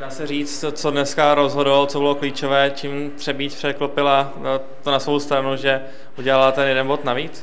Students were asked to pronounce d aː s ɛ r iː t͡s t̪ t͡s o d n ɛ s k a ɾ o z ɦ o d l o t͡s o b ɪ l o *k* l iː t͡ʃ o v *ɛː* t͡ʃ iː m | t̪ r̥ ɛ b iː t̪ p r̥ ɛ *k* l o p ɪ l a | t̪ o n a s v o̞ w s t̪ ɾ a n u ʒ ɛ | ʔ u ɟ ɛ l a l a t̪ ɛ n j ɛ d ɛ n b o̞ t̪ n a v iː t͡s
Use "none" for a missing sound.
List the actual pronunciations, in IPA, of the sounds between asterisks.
k, ɛː, k

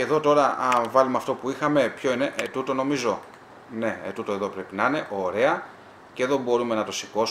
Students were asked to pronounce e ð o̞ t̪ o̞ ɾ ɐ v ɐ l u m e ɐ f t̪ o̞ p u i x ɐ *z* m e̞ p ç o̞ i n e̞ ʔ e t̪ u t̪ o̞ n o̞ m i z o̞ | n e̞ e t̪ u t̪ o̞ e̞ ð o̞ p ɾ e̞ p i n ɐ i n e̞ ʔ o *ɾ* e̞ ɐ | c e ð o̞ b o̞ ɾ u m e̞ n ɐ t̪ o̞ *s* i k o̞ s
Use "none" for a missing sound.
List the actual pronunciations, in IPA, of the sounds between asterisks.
none, ɾ, s

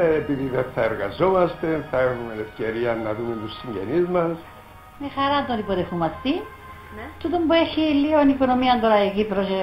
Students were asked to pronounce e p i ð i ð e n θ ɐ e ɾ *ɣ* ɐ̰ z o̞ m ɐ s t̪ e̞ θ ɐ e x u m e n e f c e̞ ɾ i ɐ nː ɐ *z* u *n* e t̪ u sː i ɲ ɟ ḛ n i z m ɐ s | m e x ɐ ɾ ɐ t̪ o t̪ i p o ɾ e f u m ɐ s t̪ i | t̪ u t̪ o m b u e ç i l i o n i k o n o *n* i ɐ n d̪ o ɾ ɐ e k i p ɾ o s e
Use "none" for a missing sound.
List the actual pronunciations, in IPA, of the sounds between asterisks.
ɣ, ð, m, m

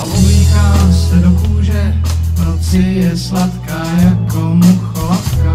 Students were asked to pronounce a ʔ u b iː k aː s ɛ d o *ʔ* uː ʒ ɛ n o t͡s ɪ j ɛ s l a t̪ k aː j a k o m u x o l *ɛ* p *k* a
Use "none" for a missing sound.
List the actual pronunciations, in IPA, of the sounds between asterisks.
k, a, k

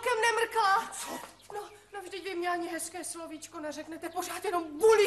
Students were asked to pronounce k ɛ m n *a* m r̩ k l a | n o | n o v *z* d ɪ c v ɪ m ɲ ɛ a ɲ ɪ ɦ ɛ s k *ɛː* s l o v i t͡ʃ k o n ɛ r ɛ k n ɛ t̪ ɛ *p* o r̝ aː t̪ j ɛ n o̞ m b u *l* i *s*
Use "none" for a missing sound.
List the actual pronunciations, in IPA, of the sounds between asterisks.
ɛ, ʒ, ɛː, p, l, none

